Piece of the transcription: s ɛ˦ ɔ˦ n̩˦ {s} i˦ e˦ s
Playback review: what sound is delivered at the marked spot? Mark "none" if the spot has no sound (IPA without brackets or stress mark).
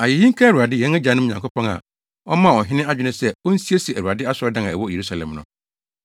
s